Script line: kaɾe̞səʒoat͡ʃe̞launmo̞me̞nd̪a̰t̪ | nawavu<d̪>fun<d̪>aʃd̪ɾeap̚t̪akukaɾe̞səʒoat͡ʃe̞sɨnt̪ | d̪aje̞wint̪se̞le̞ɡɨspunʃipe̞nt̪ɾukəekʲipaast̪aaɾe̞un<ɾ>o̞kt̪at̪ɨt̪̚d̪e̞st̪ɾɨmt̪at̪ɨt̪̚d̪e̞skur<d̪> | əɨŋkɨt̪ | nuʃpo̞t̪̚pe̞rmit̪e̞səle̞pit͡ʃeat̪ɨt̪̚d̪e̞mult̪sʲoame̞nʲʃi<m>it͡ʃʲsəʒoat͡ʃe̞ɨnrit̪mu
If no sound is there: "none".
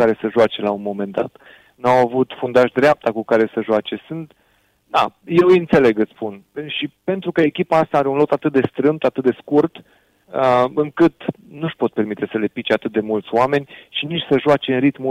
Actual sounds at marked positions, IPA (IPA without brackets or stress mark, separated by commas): t̪, d̪, l, t̪, n